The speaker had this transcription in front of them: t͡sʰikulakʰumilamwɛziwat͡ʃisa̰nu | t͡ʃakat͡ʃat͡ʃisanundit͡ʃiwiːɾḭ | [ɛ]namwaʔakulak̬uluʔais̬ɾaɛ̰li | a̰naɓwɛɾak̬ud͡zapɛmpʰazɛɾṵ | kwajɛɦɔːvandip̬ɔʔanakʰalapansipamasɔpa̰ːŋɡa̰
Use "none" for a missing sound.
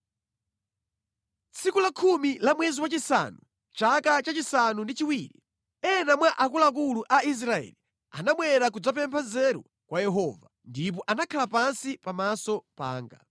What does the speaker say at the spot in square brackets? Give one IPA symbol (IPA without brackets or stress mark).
ɛ